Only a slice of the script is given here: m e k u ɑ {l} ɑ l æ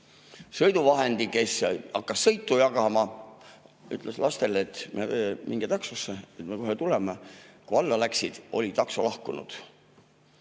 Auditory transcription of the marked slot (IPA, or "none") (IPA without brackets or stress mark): lː